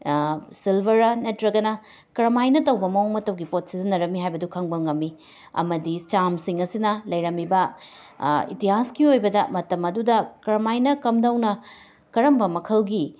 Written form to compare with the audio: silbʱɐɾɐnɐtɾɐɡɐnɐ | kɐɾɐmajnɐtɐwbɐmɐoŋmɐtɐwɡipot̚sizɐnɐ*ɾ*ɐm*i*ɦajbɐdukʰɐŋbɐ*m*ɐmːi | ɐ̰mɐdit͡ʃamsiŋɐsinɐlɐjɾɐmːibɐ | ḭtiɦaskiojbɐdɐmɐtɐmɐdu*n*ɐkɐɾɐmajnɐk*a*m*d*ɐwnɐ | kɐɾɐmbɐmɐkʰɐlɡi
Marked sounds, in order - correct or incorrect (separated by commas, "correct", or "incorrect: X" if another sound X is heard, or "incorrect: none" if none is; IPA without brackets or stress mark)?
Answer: correct, correct, incorrect: ŋ, incorrect: d, incorrect: ɐ, correct